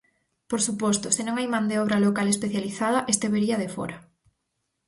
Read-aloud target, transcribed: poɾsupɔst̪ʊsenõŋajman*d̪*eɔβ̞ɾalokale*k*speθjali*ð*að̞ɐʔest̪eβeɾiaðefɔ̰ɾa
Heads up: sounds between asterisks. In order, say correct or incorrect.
correct, incorrect, incorrect

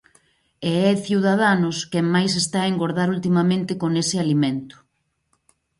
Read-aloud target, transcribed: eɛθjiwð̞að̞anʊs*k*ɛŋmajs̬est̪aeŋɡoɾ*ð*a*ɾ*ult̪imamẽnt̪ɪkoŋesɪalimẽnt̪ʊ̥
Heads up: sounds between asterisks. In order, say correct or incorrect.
correct, correct, correct

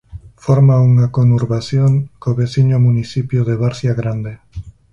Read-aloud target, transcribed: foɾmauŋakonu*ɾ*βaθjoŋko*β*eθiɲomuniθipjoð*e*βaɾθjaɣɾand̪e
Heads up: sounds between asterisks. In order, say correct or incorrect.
correct, correct, correct

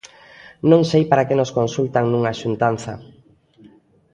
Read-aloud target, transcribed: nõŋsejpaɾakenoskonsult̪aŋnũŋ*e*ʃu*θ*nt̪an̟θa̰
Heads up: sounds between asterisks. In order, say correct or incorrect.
incorrect, incorrect

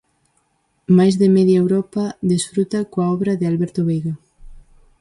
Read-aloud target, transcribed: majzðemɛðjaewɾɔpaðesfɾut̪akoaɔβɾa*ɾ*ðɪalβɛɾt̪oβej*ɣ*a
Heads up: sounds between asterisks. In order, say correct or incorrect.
incorrect, correct

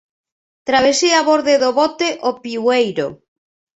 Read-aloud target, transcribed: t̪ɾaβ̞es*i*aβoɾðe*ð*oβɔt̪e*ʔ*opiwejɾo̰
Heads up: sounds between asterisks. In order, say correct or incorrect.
correct, correct, correct

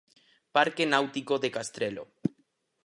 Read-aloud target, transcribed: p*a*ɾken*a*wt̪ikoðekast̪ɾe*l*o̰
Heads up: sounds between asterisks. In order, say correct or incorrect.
correct, correct, correct

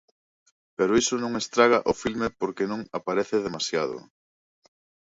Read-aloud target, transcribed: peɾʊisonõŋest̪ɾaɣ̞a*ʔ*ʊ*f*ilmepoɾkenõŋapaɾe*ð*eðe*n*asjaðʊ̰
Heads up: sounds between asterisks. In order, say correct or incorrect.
correct, correct, incorrect, incorrect

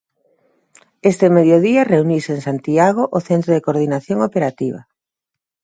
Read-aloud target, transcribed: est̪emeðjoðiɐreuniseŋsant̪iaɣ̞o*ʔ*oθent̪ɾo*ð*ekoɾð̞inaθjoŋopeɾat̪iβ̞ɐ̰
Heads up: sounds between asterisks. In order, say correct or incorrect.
correct, correct

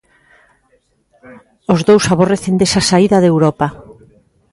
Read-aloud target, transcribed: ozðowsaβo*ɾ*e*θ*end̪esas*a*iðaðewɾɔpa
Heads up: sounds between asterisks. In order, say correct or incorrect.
incorrect, correct, correct

